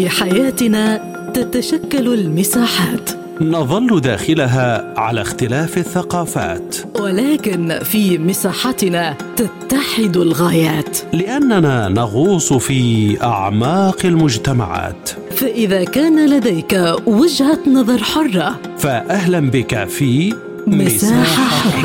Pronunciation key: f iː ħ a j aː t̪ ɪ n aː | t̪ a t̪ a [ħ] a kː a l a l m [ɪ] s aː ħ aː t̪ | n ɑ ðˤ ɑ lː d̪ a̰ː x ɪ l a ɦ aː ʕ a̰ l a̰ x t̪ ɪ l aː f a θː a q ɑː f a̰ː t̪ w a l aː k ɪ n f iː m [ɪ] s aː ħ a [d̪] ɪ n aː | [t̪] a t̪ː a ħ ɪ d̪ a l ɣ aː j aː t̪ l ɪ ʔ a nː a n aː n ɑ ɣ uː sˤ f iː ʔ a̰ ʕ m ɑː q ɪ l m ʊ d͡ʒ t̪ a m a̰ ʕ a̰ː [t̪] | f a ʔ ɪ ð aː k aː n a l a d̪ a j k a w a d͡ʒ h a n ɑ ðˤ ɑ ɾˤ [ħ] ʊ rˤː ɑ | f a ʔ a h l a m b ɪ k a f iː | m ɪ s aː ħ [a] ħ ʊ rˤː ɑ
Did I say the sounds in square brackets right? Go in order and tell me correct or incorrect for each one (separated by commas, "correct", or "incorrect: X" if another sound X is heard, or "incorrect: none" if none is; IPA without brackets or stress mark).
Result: incorrect: ʃ, correct, correct, incorrect: t̪, correct, correct, correct, correct